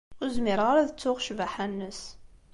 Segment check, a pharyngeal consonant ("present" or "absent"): present